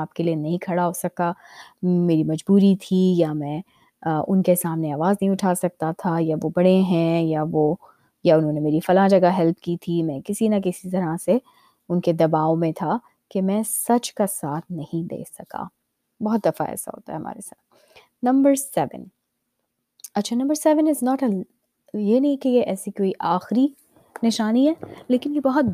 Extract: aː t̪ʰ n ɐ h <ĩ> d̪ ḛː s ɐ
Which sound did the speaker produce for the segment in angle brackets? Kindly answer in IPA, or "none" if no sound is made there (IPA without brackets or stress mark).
ĩ